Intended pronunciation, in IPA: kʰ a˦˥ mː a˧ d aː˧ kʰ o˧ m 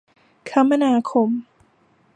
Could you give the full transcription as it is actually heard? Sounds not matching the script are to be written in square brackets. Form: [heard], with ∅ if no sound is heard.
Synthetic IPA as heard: kʰ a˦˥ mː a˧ [n] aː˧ kʰ o˧ m

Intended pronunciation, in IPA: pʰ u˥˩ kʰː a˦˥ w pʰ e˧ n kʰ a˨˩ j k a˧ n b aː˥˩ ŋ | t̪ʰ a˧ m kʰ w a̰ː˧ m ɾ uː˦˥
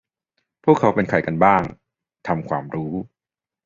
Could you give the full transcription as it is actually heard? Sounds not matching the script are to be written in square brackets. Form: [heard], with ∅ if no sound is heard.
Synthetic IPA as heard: pʰ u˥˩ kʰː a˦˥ w [p] e˧ n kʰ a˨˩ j k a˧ n b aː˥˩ ŋ | t̪ʰ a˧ m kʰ w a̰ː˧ m ɾ uː˦˥

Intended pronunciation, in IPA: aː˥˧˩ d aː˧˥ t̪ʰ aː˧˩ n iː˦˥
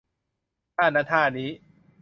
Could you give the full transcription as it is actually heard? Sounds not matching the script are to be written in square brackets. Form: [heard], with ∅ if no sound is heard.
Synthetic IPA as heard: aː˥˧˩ [n] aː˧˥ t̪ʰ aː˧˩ n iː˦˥

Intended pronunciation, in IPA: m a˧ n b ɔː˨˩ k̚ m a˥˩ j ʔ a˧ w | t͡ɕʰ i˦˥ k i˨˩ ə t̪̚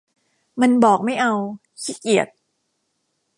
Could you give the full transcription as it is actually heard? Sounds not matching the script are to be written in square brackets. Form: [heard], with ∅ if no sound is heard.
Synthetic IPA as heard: m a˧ n b ɔː˨˩ k̚ m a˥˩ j ʔ a˧ w | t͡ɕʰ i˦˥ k i˨˩ ə t̪̚

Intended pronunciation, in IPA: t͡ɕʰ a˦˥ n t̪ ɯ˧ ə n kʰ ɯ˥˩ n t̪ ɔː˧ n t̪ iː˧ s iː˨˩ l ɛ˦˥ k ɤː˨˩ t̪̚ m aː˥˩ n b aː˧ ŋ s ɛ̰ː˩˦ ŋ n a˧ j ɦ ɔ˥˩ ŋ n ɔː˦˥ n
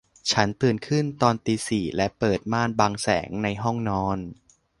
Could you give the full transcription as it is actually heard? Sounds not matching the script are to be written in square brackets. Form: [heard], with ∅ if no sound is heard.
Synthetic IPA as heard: t͡ɕʰ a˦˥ n t̪ [ɯ˨˩] ə n kʰ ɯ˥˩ n t̪ ɔː˧ n t̪ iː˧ s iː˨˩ l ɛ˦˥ [p] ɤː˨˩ t̪̚ m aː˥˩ n b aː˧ ŋ s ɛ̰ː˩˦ ŋ n a˧ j ɦ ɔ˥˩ ŋ n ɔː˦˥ n

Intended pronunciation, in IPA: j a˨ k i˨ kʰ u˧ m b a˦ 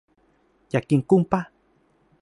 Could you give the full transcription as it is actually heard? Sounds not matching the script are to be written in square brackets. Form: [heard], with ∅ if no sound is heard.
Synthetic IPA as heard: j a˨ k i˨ [k] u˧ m [p] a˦

